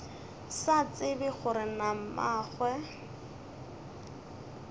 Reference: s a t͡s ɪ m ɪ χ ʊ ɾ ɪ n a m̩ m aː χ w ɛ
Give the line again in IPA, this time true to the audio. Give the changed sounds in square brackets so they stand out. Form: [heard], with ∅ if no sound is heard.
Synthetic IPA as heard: s a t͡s ɪ [b] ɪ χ ʊ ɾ ɪ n a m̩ m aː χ w ɛ